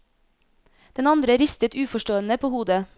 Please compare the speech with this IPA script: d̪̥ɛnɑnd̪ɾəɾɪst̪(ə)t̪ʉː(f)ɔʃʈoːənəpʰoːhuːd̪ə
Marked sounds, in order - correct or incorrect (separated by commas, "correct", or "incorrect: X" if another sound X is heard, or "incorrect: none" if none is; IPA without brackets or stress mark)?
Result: correct, correct